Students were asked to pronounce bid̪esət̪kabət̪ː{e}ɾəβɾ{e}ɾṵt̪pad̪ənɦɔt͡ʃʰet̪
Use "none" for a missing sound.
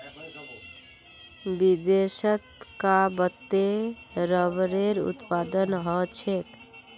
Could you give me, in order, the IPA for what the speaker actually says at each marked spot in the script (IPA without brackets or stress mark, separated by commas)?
e, e